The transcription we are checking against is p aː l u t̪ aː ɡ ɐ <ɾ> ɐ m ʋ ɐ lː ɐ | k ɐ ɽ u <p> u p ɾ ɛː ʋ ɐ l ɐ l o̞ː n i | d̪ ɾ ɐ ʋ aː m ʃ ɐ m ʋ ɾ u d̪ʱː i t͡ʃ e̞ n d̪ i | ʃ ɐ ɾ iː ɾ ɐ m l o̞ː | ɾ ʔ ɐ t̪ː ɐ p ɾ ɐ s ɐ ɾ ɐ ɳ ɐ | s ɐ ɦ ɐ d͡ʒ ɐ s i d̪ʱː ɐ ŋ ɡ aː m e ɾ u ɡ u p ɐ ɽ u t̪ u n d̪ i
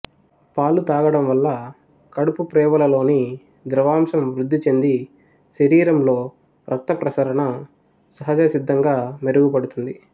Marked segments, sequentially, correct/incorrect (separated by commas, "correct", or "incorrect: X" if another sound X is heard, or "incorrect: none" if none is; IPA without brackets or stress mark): incorrect: ɽ, correct